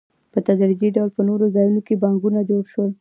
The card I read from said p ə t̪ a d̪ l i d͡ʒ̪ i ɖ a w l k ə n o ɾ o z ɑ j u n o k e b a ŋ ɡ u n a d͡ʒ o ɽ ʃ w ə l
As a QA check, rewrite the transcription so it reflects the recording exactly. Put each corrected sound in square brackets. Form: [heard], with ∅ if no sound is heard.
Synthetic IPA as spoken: p ə t̪ a d̪ [ɾ] i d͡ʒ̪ i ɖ a w l [p] ə n o ɾ o z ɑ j u n o k e b a ŋ ɡ u n a d͡ʒ o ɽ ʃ w ə l